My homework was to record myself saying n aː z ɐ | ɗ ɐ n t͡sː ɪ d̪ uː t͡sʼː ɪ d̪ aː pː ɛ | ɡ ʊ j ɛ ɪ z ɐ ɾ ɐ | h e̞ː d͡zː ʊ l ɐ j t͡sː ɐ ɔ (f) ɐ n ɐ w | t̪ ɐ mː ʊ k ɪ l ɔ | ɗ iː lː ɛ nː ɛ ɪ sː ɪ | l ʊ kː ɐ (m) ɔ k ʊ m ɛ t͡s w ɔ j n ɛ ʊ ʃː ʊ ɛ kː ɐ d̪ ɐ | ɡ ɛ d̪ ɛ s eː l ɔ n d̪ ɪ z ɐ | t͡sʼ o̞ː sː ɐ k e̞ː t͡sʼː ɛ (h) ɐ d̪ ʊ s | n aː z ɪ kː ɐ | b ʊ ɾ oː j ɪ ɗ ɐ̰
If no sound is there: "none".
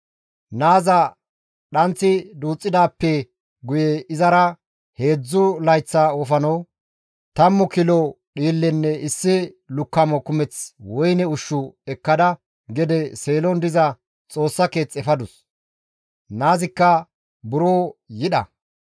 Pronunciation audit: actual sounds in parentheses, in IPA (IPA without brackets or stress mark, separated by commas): f, m, f